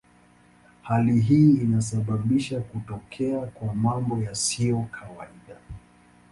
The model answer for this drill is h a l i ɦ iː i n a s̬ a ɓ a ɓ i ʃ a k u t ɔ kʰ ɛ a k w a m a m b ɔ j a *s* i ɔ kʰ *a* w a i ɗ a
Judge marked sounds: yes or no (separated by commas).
yes, yes